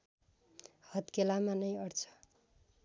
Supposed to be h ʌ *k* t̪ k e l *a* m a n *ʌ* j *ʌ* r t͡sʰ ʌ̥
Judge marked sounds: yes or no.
no, yes, yes, yes

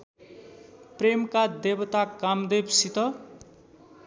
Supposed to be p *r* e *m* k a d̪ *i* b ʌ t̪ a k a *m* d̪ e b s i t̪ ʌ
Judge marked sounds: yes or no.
yes, yes, no, yes

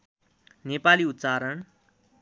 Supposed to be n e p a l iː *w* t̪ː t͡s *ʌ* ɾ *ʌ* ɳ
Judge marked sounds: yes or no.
no, no, no

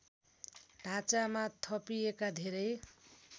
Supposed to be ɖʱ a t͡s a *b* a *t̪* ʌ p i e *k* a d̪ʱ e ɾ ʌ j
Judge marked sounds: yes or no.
no, no, yes

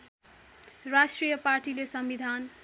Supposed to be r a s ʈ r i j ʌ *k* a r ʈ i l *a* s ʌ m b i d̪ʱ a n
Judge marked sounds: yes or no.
no, no

